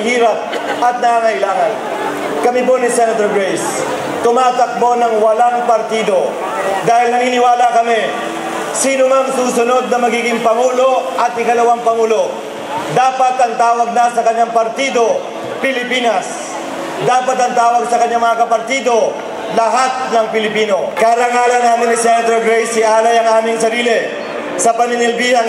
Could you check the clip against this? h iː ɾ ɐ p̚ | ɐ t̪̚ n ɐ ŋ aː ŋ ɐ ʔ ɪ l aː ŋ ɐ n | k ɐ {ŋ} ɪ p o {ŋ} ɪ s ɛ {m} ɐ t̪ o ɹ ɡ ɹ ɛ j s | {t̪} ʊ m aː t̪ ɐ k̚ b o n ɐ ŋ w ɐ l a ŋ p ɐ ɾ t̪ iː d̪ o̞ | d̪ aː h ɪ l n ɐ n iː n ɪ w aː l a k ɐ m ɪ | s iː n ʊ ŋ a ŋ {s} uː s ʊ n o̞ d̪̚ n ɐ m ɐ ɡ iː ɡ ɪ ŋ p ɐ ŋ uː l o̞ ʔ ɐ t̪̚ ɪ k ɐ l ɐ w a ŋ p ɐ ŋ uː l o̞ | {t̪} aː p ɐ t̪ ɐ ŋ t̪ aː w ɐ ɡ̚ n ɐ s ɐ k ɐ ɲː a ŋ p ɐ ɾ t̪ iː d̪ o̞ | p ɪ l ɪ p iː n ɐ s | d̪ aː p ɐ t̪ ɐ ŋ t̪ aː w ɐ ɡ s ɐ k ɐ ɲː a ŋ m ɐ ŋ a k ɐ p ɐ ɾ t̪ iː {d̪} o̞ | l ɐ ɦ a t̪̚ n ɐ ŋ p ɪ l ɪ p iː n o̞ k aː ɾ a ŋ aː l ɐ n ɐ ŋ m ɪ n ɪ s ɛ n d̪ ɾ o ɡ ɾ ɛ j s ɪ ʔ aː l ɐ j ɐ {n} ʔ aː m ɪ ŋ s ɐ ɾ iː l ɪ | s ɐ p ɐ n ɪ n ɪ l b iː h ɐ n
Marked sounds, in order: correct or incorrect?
incorrect: m, incorrect: n, incorrect: n, correct, correct, incorrect: d̪, correct, incorrect: ŋ

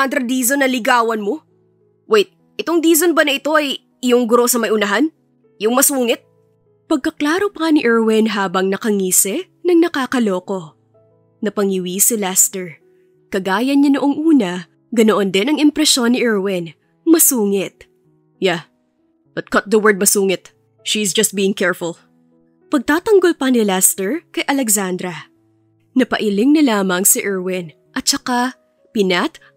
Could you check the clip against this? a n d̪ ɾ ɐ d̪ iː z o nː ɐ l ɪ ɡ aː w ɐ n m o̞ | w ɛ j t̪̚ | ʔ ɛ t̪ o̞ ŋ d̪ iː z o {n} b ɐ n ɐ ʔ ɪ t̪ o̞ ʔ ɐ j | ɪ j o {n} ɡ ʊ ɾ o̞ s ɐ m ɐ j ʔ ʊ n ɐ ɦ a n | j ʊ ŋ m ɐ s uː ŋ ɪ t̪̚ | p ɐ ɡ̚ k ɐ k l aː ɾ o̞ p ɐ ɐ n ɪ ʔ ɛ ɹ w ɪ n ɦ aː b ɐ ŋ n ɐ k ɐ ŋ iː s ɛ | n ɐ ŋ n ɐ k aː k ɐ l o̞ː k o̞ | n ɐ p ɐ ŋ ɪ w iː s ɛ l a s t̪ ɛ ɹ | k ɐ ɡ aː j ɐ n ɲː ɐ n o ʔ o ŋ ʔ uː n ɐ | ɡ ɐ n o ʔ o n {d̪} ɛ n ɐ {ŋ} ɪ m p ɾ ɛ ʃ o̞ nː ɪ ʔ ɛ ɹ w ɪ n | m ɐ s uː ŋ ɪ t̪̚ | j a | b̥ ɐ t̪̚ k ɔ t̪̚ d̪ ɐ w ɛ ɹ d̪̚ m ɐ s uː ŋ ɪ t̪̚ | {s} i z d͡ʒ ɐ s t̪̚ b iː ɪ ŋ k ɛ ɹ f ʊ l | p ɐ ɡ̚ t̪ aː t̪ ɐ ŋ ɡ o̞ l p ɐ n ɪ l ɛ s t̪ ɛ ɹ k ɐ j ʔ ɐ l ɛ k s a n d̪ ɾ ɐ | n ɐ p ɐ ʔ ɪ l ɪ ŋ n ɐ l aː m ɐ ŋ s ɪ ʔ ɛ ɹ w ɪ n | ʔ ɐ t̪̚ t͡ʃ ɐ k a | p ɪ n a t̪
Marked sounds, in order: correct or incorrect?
correct, incorrect: ŋ, correct, correct, incorrect: ʃ

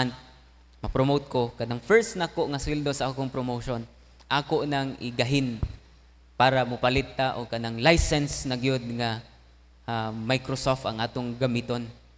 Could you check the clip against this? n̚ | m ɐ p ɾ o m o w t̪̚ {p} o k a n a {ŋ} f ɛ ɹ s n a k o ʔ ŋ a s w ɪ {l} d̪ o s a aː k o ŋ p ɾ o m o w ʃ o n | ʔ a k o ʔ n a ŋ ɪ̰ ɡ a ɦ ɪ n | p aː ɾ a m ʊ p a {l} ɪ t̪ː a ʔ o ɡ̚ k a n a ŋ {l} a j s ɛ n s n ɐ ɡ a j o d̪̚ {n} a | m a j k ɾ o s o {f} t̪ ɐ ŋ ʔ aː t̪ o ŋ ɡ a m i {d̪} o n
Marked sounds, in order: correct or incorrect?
incorrect: k, correct, correct, correct, correct, incorrect: ŋ, correct, incorrect: t̪

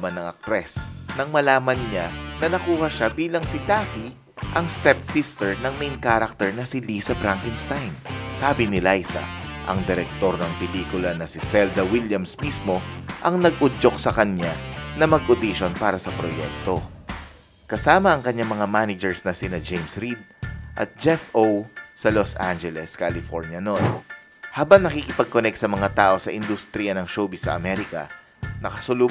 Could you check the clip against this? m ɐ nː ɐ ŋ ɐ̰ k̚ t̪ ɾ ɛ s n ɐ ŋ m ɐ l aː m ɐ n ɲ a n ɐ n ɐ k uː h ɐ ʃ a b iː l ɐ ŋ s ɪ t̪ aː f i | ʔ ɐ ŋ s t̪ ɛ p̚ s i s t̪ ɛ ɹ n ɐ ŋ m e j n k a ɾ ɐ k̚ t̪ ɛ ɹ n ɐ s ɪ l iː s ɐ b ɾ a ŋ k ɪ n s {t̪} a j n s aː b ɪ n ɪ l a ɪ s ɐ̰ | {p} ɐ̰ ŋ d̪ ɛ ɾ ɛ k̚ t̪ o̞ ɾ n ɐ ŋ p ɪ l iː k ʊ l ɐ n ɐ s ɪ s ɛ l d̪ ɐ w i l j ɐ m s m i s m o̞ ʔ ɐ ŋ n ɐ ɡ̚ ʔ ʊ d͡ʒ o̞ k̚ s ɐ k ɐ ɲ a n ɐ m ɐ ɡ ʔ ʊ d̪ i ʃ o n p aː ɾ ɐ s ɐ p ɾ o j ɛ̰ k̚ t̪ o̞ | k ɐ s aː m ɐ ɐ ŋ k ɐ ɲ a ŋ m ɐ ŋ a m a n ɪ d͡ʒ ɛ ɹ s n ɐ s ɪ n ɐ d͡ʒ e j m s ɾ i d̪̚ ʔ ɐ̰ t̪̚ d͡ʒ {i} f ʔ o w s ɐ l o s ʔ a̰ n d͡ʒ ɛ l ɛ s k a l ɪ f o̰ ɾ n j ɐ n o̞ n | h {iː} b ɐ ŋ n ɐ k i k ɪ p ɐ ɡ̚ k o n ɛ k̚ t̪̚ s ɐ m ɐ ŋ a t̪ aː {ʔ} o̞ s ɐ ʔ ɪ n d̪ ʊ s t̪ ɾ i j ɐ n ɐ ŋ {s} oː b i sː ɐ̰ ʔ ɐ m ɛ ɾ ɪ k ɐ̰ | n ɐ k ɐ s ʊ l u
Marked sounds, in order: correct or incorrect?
correct, incorrect: ʔ, incorrect: ɛ, incorrect: aː, correct, incorrect: ʃ

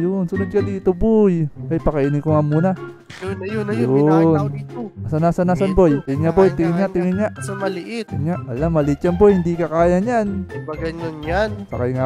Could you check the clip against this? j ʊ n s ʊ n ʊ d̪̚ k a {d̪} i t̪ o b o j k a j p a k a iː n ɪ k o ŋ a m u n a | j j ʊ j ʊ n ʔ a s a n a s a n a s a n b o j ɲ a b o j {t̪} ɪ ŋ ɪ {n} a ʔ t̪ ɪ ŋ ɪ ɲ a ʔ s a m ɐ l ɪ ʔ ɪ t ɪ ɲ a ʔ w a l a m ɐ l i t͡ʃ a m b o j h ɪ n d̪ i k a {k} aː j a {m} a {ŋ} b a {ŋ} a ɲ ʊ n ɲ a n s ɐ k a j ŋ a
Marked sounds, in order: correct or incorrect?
correct, correct, incorrect: ɲ, correct, incorrect: ɲ, incorrect: n, incorrect: ɡ

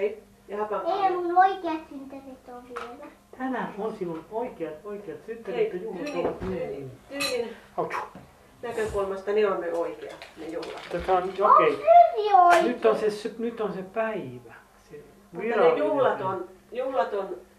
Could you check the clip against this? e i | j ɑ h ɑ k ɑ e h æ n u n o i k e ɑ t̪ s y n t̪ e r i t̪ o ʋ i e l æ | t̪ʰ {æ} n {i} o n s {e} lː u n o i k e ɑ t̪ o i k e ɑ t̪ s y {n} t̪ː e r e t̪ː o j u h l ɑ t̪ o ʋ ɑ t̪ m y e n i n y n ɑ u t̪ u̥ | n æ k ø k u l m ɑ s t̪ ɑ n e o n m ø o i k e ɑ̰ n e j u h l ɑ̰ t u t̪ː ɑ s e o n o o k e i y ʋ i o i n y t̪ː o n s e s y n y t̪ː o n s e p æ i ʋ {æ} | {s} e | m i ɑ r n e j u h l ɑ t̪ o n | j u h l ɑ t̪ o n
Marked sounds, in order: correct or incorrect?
correct, incorrect: æ, incorrect: i, correct, correct, correct

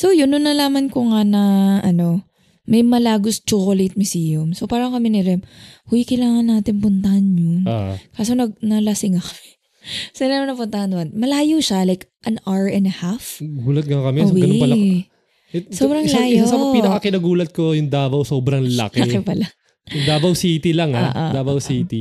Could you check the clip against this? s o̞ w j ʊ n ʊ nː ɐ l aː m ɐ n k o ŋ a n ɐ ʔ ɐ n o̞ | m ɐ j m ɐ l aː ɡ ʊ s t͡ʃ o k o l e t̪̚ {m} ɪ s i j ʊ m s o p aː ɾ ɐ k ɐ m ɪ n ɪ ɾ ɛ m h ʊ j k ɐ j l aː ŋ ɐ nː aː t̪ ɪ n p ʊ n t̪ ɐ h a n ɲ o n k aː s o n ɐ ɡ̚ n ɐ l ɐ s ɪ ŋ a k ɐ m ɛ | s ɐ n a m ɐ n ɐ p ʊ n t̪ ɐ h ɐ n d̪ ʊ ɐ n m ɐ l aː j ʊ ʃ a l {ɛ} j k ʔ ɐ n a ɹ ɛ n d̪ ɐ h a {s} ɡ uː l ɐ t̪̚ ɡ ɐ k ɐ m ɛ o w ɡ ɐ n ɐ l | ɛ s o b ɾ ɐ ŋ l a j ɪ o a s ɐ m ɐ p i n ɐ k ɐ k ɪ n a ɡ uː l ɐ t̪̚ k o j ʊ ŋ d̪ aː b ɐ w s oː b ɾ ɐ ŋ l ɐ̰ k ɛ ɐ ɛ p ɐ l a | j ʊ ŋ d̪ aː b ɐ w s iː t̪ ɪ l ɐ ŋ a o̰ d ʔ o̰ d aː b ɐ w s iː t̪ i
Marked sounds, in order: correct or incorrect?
correct, incorrect: a, incorrect: f

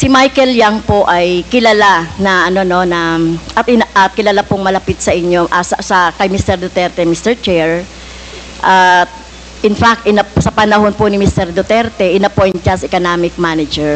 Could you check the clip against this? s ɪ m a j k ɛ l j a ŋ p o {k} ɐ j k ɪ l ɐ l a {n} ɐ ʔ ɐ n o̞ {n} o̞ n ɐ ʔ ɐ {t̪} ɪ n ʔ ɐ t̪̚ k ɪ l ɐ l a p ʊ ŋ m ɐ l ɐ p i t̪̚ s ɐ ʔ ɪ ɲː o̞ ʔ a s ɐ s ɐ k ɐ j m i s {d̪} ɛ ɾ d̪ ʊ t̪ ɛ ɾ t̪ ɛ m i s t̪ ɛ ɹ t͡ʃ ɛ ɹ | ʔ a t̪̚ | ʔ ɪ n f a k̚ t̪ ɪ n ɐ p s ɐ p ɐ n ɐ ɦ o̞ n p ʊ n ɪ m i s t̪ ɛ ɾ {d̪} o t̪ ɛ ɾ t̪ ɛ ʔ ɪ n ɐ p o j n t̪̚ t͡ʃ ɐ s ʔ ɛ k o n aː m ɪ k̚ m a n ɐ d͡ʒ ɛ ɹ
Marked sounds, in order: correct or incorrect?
incorrect: ʔ, correct, correct, correct, incorrect: t̪, correct

